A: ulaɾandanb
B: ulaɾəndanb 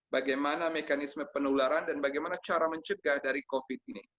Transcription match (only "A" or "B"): A